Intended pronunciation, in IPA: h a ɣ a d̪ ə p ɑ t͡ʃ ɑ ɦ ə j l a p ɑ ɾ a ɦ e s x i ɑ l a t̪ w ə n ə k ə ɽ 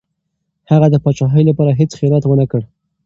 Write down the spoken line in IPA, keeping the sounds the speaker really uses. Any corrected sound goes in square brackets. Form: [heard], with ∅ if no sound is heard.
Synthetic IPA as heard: h a ɣ a d̪ ə p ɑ t͡ʃ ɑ ɦ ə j l a p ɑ ɾ a ɦ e [t͡s] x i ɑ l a t̪ w ə n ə k ə ɽ